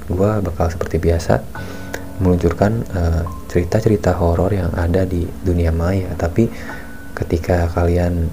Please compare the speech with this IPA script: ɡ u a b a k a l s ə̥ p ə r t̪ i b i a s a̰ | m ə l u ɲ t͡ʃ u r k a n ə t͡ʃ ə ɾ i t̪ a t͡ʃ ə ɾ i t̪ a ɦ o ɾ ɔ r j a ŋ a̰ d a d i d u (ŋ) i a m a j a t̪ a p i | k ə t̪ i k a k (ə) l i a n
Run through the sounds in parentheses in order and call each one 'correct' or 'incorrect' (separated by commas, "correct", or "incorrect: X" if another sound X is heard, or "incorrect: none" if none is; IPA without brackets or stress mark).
incorrect: n, incorrect: a